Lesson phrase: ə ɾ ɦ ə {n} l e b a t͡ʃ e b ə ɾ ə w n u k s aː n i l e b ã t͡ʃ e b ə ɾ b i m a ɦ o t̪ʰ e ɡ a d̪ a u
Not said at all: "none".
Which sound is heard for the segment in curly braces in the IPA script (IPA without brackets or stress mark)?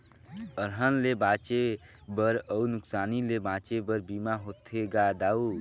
n